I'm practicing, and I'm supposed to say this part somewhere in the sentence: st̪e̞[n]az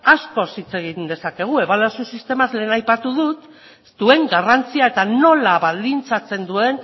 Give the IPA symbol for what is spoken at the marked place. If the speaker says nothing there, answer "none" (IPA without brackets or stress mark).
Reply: m